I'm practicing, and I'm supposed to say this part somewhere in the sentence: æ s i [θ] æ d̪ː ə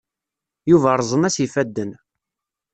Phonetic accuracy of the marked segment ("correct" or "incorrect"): incorrect